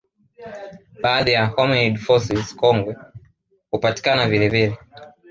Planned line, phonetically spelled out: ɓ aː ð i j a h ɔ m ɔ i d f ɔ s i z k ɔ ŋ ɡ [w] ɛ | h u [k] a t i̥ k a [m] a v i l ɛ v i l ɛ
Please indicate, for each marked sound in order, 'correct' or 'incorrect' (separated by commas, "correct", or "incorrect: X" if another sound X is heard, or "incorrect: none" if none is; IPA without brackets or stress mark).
correct, incorrect: p, incorrect: n